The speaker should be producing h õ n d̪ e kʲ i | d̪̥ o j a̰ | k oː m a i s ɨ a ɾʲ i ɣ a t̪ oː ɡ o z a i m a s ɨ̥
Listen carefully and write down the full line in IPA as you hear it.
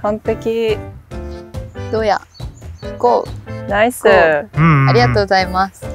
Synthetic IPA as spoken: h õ n t̪ e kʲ i | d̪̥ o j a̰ | k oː n a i s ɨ a ɾʲ i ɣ a t̪ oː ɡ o z a i m a s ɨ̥

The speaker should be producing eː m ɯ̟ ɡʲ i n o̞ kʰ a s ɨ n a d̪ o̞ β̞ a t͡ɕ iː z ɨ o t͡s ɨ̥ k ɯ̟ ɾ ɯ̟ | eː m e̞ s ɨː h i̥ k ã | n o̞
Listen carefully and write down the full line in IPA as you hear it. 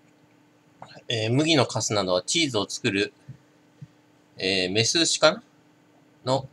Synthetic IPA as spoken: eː m ɯ̟ ɡʲ i n o̞ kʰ a s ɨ n a d̪ o̞ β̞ a t͡ɕ iː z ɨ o t͡s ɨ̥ k ɯ̟ ɾ ɯ̟ | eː m e̞ s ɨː ɕ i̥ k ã | n o̞

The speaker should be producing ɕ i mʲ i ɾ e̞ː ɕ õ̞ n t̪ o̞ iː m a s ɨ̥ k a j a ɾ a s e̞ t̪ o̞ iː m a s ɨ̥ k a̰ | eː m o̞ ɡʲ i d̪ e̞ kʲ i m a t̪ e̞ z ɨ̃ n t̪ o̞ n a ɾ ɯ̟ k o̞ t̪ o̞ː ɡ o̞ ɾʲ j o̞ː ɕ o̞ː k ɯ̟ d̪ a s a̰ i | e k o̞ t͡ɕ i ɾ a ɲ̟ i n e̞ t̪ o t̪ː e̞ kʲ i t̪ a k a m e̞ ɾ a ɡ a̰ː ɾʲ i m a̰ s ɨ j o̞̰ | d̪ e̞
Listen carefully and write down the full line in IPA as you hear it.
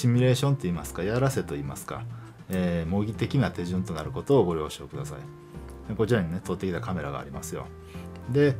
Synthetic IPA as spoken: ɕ i mʲ i ɾ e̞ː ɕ õ̞ n t̪ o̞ iː m a s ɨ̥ k a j a ɾ a s e̞ t̪ o̞ iː m a s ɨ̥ k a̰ | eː m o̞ ɡʲ i t̪ e̞ kʲ i n a t̪ e̞ ʑ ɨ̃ n t̪ o̞ n a ɾ ɯ̟ k o̞ t̪ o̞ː ɡ o̞ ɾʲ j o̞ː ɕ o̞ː k ɯ̟ d̪ a s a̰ i | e k o̞ t͡ɕ i ɾ a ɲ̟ i n e̞ t̪ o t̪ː e̞ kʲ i t̪ a k a m e̞ ɾ a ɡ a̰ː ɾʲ i m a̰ s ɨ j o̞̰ | d̪ e̞

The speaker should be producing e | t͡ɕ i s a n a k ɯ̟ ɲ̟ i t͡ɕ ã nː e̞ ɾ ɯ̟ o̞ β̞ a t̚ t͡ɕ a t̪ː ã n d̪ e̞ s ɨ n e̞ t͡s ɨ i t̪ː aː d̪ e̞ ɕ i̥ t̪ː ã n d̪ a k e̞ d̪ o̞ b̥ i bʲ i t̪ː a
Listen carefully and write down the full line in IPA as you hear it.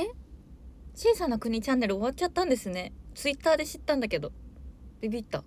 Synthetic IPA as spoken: e | t͡ɕ iː s a n a k ɯ̟ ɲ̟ i t͡ɕ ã nː e̞ ɾ ɯ̟ o̞ β̞ a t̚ t͡ɕ a t̪ː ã n d̪ e̞ s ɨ n e̞ t͡s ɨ i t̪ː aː d̪ e̞ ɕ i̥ t̪ː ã n d̪ a k e̞ d̪ o̞ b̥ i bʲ i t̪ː a

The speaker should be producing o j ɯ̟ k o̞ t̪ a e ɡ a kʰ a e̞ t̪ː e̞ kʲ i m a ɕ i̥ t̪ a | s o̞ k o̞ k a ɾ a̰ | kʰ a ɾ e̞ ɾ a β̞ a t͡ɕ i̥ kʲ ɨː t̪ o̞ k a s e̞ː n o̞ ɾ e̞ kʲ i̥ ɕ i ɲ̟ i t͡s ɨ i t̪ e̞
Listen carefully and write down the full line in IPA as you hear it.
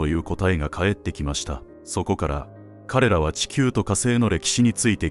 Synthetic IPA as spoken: o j ɯ̟ː k o̞ t̪ a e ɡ a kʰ a e̞ t̪ː e̞ kʲ i m a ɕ i̥ t̪ a | s o̞ k o̞ k a ɾ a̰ | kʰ a ɾ e̞ ɾ a β̞ a t͡ɕ i̥ kʲ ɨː t̪ o̞ k a s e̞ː n o̞ ɾ e̞ kʲ i̥ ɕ i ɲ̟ i t͡s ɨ i t̪ e̞

